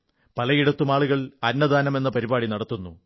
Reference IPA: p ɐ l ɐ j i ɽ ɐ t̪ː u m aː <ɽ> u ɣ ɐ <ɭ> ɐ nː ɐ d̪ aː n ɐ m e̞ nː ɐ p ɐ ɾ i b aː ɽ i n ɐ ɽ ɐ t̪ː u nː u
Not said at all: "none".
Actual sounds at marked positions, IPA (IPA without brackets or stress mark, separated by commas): ɭ, ɭ